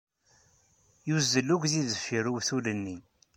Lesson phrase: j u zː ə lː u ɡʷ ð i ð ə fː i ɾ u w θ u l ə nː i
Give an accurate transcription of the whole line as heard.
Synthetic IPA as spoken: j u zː ə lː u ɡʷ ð i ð ə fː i ɾ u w θ u l ə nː i